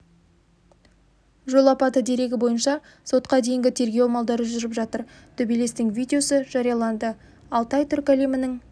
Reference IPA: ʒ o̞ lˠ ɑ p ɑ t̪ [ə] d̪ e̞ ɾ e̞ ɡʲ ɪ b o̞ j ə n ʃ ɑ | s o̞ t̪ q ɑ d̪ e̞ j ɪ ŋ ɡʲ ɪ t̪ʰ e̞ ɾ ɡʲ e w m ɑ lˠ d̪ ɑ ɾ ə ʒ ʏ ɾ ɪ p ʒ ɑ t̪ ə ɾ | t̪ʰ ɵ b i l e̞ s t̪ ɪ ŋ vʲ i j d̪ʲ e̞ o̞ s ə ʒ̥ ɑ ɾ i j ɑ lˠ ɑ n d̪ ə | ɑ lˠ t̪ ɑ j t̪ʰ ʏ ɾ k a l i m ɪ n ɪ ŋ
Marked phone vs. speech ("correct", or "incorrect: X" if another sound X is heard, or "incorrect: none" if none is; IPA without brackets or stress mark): correct